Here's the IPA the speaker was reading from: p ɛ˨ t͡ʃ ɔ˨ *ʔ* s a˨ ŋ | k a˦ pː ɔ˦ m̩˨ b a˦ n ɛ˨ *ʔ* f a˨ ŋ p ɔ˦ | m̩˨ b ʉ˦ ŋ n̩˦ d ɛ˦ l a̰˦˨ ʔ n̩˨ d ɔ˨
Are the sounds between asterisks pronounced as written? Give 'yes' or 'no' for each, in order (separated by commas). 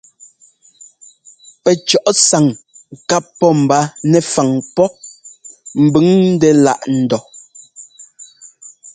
yes, no